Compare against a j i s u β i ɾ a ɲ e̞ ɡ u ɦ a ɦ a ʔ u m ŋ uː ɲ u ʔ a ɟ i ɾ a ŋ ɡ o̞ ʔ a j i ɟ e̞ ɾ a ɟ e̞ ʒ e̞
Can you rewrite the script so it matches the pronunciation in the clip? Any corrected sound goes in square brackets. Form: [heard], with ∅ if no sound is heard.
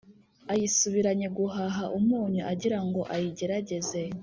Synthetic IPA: a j i s u β i ɾ a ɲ e̞ ɡ u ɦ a ɦ a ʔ u m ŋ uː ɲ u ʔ a ɟ i ɾ a ŋ ɡ o̞ ʔ a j i ɟ e̞ ɾ a ɟ e̞ [z] e̞

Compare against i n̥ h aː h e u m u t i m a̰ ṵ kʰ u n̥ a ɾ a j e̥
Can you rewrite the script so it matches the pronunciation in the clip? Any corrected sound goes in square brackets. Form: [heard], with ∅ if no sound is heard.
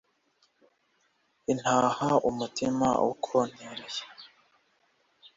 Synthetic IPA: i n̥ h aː h [a] u m u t i m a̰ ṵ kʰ [o] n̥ [e] ɾ [e] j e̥

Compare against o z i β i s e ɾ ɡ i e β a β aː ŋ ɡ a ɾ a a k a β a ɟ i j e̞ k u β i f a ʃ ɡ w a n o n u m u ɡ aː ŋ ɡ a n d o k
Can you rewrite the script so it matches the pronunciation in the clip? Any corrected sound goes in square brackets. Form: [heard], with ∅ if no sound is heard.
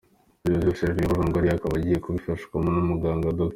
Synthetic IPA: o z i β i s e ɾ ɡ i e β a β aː ŋ ɡ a ɾ [i] a k a β a ɟ i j e̞ k u β i f a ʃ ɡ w a [m] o n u m u ɡ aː ŋ ɡ a [∅] d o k

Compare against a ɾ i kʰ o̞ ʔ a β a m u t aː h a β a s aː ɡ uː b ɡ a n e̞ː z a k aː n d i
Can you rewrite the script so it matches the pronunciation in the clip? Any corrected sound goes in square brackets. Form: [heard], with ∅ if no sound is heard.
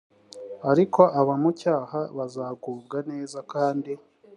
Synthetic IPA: a ɾ i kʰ o̞ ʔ a β a m u [c] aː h a β a [z] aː ɡ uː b ɡ a n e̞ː z a k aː n d i

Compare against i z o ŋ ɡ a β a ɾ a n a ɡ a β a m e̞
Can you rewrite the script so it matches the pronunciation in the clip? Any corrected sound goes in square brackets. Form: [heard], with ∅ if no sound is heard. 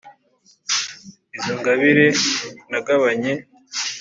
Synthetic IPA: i z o ŋ ɡ a β [i] ɾ [e] n a ɡ a β a [ɲ] e̞

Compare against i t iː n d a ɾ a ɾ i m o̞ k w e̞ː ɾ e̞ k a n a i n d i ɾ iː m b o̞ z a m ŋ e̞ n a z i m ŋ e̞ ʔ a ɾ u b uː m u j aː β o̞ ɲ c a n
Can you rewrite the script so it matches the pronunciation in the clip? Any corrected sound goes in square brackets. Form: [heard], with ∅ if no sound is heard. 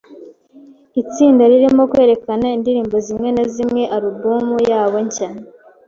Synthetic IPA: i [t͡s] iː n d a ɾ [i] ɾ i m o̞ k w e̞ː ɾ e̞ k a n a i n d i ɾ iː m b o̞ z [i] m ŋ e̞ n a z i m ŋ e̞ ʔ a ɾ u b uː m u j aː β o̞ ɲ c a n

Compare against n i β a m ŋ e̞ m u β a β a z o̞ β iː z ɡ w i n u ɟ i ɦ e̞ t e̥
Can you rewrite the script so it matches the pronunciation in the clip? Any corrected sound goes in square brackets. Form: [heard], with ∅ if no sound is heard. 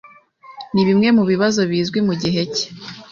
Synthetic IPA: n i β [i] m ŋ e̞ m u β [i] β a z o̞ β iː z ɡ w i [m] u ɟ i ɦ e̞ [c] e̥

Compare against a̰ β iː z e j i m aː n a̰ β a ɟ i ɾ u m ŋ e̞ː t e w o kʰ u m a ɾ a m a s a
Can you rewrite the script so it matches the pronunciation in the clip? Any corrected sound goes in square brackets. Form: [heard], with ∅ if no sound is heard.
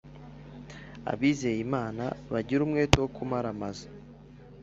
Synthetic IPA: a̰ β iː z e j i m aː n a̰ β a ɟ i ɾ u m ŋ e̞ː t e w o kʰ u m a ɾ a m a [z] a

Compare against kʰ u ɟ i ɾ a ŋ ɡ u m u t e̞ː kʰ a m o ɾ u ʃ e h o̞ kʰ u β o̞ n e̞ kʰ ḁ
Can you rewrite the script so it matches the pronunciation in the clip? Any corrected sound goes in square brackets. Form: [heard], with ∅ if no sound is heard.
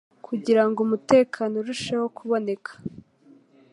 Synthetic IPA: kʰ u ɟ i ɾ a ŋ ɡ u m u t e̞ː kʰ a [n] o ɾ u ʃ e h o̞ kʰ u β o̞ n e̞ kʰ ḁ

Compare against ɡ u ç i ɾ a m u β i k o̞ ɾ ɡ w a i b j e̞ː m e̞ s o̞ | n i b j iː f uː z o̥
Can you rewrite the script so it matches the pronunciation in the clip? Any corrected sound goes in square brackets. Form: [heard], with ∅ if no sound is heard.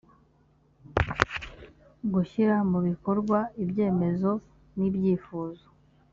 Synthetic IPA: ɡ u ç i ɾ a m u β i k o̞ ɾ ɡ w a i b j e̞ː m e̞ [z] o̞ | n i b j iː f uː z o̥

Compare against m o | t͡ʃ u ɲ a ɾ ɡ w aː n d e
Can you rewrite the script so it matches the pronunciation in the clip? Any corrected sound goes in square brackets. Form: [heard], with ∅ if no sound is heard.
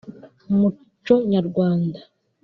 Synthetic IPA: m [u] | t͡ʃ [o] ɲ a ɾ ɡ w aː n d [a]

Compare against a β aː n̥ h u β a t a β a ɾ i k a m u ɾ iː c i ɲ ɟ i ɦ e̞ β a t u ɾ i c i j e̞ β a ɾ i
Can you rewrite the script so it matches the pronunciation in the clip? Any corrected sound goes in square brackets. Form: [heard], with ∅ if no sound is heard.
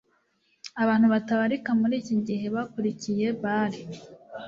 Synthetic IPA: a β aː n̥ h u β a t a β a ɾ i k a m u ɾ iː c i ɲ ɟ i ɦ e̞ β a [k] u ɾ i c i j e̞ β a ɾ i

